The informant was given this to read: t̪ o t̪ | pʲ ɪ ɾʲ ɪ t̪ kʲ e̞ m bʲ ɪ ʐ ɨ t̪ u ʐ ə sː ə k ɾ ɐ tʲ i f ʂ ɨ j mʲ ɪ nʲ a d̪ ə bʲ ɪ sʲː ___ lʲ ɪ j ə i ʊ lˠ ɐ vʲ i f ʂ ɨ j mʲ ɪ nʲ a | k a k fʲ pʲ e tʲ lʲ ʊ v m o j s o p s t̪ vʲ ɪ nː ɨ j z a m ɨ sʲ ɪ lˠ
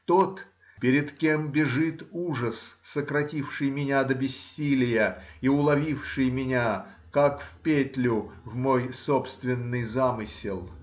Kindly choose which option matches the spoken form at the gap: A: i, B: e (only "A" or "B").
A